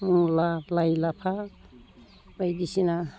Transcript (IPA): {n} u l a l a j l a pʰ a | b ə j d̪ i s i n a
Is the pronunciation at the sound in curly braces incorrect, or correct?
incorrect